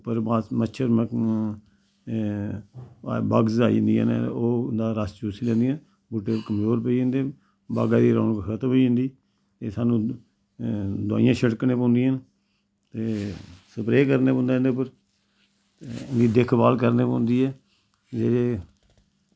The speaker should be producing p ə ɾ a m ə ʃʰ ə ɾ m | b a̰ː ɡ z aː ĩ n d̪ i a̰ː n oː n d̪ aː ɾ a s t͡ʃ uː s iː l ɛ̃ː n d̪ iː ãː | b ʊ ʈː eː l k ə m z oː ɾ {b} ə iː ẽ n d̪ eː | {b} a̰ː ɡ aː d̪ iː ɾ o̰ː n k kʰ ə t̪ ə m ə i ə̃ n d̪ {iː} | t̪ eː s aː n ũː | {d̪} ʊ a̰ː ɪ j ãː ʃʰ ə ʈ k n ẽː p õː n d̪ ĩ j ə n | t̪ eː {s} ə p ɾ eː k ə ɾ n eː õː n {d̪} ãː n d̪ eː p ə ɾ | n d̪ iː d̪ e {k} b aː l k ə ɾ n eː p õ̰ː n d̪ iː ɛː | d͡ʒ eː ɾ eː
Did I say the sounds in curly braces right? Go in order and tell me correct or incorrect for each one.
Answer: incorrect: p, correct, correct, correct, correct, correct, incorrect: kʰ

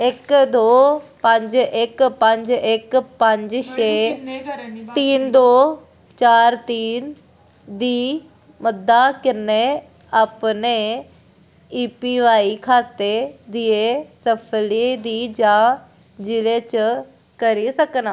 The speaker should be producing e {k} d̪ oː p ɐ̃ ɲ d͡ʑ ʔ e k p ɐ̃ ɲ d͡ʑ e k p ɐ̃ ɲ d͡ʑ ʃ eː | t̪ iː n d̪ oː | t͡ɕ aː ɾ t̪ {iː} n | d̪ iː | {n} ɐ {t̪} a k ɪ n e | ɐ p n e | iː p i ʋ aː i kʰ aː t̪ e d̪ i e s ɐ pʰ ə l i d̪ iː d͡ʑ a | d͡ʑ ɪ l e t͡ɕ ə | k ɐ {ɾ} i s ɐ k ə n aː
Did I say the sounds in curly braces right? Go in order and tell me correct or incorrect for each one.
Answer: correct, correct, incorrect: m, incorrect: d̪, correct

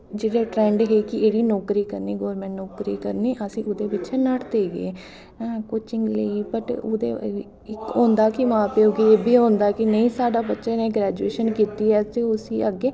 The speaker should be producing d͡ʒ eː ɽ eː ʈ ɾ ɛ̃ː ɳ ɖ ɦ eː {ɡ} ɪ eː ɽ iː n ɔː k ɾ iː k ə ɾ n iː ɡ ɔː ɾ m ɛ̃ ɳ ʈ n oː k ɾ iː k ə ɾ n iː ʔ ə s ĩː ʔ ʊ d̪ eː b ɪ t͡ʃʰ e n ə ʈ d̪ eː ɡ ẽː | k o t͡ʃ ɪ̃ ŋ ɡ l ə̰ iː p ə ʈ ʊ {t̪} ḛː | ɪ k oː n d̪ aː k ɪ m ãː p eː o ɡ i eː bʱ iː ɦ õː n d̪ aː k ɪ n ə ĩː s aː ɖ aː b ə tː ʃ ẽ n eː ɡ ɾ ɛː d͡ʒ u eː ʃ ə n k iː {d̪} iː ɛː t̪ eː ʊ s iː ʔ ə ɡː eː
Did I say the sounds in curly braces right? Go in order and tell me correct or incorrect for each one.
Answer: incorrect: k, incorrect: d̪, incorrect: t̪

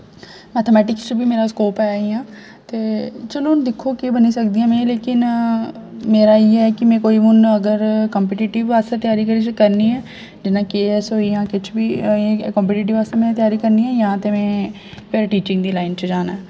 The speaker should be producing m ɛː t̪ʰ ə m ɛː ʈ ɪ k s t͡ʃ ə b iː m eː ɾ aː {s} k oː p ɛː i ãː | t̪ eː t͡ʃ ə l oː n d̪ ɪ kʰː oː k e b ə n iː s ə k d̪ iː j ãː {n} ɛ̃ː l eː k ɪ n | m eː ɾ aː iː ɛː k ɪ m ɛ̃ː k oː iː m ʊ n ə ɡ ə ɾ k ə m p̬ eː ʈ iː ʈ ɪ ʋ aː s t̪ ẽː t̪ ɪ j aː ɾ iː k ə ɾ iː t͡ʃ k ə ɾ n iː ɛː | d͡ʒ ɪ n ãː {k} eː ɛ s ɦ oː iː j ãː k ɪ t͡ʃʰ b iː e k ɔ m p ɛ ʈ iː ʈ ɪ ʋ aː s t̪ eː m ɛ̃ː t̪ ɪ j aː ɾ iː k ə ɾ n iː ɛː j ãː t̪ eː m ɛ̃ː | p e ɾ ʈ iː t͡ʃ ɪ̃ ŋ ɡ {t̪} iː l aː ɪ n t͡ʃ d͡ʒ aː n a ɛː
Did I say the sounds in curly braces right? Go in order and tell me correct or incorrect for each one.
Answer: correct, incorrect: m, correct, incorrect: d̪

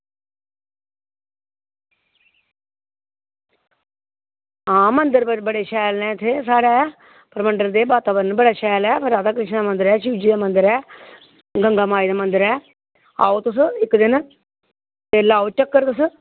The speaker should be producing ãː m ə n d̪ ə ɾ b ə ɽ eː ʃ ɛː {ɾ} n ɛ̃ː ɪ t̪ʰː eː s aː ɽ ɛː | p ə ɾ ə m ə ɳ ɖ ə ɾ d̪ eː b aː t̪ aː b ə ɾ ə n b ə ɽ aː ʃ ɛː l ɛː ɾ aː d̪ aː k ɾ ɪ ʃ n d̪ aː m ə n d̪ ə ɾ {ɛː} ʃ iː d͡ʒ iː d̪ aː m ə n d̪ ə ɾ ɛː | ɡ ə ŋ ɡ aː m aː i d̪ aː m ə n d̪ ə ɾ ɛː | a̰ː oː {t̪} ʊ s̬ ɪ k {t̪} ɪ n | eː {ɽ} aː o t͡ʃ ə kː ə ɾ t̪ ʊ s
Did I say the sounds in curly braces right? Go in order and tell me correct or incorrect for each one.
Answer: incorrect: l, correct, correct, incorrect: d̪, incorrect: l

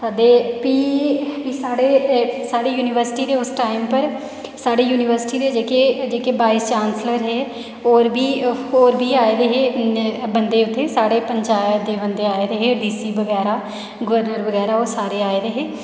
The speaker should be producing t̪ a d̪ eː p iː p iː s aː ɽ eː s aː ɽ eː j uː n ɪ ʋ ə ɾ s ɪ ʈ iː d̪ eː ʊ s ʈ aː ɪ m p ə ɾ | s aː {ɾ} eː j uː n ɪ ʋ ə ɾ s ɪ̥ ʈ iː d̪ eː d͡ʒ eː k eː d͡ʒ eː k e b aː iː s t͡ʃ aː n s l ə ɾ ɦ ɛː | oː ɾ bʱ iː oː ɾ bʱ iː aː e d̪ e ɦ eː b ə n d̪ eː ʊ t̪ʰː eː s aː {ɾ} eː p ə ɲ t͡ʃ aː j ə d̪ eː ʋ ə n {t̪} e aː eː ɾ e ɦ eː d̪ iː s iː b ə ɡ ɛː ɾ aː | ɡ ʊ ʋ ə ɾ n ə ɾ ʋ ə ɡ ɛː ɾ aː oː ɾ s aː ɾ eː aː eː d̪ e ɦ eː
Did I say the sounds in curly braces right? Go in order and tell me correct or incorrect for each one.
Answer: incorrect: ɽ, incorrect: ɽ, incorrect: d̪

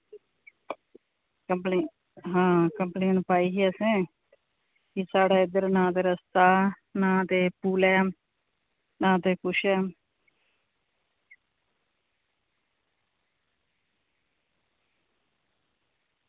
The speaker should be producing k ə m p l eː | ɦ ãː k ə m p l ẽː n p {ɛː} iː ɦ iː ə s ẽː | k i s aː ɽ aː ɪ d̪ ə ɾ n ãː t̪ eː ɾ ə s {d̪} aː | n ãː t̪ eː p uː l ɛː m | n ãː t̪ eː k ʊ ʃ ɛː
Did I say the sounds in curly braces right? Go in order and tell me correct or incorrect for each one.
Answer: incorrect: aː, incorrect: t̪

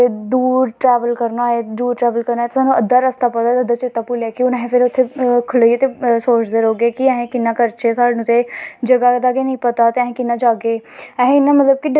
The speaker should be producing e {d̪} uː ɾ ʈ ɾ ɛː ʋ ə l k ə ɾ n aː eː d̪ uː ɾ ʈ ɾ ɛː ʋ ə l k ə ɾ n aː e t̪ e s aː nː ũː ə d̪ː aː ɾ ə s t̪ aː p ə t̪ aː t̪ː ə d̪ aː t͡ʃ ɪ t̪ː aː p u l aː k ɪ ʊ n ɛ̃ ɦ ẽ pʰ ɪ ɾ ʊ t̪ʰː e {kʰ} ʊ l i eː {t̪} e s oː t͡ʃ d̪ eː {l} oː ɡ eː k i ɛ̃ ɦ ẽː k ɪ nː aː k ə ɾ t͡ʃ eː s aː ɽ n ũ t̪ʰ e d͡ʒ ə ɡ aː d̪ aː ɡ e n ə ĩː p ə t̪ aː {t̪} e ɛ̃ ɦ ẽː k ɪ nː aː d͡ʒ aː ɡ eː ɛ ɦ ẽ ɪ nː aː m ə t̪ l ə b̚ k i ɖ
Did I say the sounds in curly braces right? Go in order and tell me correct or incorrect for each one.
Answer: correct, correct, correct, incorrect: ɾ, correct

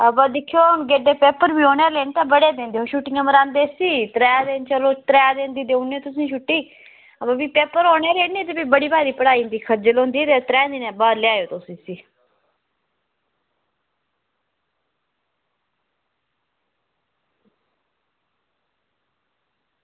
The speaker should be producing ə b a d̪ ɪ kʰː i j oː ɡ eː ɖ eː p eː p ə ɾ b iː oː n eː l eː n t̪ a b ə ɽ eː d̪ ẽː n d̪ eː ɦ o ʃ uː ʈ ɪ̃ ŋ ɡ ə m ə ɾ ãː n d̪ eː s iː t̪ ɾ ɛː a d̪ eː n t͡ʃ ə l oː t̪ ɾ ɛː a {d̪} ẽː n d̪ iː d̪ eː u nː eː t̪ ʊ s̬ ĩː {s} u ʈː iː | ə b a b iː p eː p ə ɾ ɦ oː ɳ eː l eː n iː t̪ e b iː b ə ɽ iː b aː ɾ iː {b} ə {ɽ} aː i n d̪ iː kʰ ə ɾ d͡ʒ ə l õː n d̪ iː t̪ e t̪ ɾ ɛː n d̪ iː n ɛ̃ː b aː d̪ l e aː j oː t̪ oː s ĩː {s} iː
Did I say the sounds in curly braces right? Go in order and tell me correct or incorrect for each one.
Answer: correct, incorrect: ʃ, incorrect: p, correct, correct

